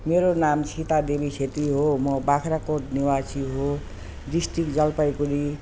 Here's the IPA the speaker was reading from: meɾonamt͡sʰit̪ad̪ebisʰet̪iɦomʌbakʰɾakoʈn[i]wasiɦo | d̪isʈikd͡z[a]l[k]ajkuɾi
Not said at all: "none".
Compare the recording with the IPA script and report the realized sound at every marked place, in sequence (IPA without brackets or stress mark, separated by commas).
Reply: i, ʌ, p